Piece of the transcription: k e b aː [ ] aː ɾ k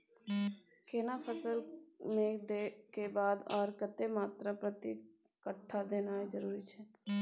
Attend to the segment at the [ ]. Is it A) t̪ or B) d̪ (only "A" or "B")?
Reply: B